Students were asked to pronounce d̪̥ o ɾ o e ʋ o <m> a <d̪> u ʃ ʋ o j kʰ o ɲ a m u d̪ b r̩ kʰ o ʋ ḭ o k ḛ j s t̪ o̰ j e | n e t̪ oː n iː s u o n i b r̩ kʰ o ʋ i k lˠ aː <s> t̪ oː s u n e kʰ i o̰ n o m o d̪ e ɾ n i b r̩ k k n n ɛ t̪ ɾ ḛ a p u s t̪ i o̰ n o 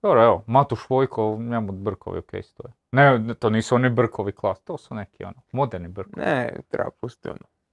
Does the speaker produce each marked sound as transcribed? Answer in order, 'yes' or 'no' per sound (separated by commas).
yes, no, yes